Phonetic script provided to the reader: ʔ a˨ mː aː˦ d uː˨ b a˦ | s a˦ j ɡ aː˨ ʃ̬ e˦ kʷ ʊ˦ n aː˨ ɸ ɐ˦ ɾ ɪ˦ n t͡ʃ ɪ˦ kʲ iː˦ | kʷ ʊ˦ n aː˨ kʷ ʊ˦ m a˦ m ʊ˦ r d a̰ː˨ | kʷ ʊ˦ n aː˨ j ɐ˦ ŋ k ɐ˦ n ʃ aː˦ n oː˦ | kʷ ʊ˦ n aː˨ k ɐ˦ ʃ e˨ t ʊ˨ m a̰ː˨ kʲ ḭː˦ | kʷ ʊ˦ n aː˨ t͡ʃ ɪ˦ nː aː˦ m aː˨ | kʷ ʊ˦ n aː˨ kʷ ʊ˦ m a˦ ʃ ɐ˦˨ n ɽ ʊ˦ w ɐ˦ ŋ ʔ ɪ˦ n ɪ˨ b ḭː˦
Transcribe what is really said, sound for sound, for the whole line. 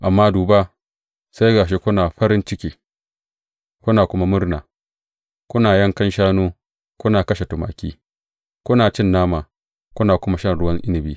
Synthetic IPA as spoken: ʔ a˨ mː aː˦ d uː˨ b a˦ | s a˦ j ɡ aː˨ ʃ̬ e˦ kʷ ʊ˦ n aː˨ ɸ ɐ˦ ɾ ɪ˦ n t͡ʃ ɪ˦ kʲ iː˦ | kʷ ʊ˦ n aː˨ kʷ ʊ˦ m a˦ m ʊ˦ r n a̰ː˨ | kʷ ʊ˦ n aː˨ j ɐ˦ ŋ k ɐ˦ n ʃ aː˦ n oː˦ | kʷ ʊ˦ n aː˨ k ɐ˦ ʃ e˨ t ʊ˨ m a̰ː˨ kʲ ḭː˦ | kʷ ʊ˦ n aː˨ t͡ʃ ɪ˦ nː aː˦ m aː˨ | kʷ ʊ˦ n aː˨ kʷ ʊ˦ m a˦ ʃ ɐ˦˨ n ɽ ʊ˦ w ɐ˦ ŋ ʔ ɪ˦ n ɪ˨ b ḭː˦

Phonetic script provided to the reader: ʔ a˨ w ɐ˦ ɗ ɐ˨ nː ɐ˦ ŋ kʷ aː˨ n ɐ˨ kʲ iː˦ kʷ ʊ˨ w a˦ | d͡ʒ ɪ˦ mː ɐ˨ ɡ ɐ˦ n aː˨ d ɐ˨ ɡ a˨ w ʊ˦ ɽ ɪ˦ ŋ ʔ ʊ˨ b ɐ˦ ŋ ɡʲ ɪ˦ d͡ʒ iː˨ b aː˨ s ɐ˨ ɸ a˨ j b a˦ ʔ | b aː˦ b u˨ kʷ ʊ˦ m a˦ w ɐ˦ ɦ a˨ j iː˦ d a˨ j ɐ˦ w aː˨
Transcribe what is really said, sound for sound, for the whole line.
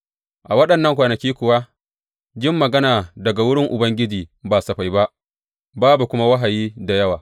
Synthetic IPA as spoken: ʔ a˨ w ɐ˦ ɗ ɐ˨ nː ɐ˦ ŋ kʷ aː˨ n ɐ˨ kʲ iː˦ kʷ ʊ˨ w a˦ | d͡ʒ ɪ˦ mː ɐ˨ ɡ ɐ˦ n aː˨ d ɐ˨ ɡ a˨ w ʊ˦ ɽ ɪ˦ ŋ ʔ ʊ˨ b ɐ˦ ŋ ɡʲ ɪ˦ d͡ʒ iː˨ b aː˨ s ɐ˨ ɸ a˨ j b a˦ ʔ | b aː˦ b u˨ kʷ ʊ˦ m a˦ w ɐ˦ ɦ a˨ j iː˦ d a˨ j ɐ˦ w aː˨

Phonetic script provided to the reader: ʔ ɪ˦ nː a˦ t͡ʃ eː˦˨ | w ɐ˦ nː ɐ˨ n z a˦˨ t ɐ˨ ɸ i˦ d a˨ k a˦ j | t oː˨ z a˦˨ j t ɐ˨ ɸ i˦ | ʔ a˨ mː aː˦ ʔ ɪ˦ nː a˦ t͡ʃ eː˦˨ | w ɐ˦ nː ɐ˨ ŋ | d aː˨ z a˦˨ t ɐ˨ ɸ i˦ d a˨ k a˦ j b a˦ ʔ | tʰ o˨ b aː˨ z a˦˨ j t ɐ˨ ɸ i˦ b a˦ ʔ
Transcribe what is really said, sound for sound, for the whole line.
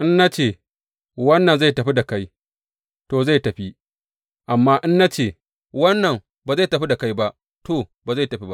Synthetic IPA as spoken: ʔ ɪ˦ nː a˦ t͡ʃ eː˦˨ | w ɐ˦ nː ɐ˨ n z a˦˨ t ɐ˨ ɸ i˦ d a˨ k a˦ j | t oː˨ z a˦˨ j t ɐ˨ ɸ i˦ | ʔ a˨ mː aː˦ ʔ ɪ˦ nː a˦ t͡ʃ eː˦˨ | w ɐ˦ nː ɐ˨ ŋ | b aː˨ z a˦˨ t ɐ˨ ɸ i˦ d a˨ k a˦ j b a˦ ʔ | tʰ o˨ b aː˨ z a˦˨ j t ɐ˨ ɸ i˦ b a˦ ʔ

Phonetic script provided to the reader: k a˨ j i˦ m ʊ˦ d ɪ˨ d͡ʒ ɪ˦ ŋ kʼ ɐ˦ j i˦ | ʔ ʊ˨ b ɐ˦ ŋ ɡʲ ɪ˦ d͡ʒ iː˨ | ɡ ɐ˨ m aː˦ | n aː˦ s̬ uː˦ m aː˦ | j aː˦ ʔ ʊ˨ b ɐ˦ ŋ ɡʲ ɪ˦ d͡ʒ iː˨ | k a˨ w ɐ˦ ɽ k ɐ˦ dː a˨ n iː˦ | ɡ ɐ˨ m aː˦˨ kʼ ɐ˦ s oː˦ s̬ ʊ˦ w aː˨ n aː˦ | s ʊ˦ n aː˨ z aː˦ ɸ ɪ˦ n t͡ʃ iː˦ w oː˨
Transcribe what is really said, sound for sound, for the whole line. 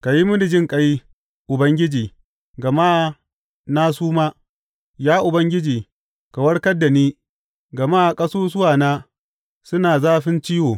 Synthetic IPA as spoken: k a˨ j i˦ m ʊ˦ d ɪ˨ d͡ʒ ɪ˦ ŋ kʼ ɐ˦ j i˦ | ʔ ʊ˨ b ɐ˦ ŋ ɡʲ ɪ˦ d͡ʒ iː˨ | ɡ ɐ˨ m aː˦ | n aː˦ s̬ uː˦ m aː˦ | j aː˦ ʔ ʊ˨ b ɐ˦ ŋ ɡʲ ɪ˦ d͡ʒ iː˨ | k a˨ w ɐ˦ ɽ k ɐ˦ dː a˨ n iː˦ | ɡ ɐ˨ m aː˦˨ kʼ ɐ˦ s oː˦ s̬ ʊ˦ w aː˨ n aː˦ | s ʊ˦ n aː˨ z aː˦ ɸ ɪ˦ n t͡ʃ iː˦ w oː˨

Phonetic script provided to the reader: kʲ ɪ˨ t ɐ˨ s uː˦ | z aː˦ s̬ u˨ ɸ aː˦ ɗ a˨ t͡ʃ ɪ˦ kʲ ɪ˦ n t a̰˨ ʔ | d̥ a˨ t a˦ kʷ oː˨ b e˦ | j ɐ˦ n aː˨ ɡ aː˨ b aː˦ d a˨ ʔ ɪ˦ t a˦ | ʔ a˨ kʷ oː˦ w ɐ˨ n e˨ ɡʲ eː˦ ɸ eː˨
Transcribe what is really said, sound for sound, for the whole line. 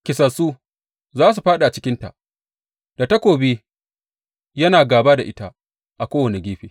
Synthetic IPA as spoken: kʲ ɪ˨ s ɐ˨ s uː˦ | z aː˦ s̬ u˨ ɸ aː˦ ɗ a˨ t͡ʃ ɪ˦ kʲ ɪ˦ n t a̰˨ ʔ | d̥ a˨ t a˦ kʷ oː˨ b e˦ | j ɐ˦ n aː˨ ɡ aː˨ b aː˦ d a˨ ʔ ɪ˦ t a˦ | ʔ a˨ kʷ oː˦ w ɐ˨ n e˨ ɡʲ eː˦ ɸ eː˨

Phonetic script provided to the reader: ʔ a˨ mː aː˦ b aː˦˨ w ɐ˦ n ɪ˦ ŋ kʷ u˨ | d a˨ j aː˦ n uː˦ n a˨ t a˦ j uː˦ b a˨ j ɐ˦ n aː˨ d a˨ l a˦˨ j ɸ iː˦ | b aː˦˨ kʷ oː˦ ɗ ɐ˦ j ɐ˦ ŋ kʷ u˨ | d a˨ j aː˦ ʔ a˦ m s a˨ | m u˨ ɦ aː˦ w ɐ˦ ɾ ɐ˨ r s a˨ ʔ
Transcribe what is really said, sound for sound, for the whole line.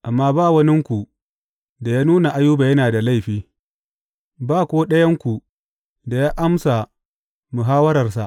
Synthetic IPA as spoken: ʔ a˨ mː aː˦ b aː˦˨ w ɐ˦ n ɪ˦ ŋ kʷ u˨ | d a˨ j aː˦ n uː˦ n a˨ ʔ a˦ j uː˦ b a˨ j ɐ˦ n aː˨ d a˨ l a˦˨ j ɸ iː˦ | b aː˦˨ kʷ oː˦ ɗ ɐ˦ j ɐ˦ ŋ kʷ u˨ | d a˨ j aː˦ ʔ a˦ m s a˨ | m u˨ ɦ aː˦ w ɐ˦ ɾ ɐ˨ r s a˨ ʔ

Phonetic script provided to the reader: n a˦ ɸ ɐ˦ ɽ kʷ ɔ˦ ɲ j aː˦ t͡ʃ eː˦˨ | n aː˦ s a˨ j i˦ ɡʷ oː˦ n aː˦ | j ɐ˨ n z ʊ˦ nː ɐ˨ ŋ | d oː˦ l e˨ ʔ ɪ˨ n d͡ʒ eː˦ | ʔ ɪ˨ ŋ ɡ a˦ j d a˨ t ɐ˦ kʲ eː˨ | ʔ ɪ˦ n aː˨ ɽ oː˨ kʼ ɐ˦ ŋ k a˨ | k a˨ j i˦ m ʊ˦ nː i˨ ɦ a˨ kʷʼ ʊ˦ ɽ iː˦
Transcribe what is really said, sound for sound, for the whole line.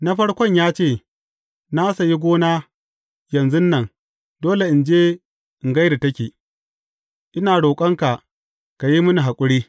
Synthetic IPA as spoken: n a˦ ɸ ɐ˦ ɽ kʷ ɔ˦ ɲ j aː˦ t͡ʃ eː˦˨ | n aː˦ s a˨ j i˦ ɡʷ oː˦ n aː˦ | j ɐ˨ n z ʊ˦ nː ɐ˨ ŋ | d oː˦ l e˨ ʔ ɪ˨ n d͡ʒ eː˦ | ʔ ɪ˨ ŋ ɡ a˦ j d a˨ t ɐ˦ kʲ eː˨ | ʔ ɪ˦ n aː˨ ɽ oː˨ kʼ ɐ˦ ŋ k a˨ | k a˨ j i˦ m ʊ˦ n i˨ ɦ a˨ kʷʼ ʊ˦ ɽ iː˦

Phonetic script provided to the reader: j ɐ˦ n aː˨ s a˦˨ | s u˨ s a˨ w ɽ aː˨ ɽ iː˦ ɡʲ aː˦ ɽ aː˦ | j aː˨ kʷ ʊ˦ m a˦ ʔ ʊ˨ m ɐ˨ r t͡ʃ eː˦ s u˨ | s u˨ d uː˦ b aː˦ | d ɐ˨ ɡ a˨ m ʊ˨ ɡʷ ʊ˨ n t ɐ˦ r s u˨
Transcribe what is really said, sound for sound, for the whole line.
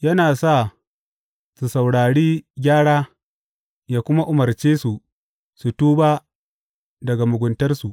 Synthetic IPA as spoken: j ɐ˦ n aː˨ s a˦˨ | s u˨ s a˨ w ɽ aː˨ ɽ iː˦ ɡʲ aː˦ ɽ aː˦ | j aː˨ kʷ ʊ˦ m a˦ ʔ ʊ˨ m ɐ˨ r t͡ʃ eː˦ s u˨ | s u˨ t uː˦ b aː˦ | d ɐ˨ ɡ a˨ m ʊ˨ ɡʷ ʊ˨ n t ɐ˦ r s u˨

